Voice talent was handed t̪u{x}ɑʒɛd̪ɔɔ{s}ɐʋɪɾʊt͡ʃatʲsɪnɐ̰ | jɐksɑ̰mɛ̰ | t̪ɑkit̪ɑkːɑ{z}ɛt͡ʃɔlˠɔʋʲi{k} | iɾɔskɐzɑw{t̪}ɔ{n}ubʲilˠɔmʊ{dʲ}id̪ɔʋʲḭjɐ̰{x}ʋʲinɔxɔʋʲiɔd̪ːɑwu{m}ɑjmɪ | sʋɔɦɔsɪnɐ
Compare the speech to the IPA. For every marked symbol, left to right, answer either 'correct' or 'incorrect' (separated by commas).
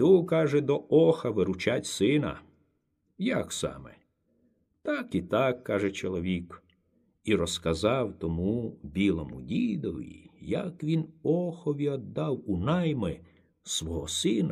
incorrect, incorrect, incorrect, correct, correct, incorrect, correct, incorrect, incorrect